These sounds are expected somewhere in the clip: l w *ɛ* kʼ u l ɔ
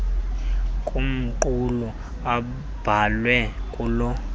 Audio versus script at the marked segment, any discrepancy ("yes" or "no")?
no